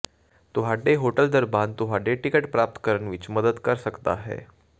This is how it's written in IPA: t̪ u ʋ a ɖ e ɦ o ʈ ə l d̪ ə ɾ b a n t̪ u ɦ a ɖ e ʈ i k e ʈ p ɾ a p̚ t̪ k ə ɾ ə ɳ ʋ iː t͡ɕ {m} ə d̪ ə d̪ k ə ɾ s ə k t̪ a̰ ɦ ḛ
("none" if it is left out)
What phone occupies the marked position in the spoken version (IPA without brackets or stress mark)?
m